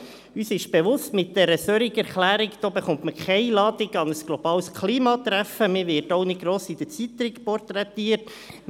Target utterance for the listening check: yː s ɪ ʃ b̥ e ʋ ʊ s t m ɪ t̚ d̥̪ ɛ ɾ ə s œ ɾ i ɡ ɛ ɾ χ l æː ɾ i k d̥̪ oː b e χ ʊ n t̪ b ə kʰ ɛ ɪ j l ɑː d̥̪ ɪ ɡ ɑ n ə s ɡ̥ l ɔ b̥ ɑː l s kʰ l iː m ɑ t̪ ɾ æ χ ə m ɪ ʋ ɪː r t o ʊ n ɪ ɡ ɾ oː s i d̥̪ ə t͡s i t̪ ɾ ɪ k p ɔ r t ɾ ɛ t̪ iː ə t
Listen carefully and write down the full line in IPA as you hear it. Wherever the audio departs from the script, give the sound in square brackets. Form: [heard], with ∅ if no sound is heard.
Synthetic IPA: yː s ɪ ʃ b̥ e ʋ ʊ s t m ɪ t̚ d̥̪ ɛ ɾ ə s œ ɾ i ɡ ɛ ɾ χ l æː ɾ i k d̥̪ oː b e χ ʊ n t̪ [m] ə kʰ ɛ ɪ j l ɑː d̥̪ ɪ ɡ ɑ n ə s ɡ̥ l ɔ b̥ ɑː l s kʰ l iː m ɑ t̪ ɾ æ [f] ə m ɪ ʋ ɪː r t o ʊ n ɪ ɡ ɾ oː s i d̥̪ ə t͡s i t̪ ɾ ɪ k p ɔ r t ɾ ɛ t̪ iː ə t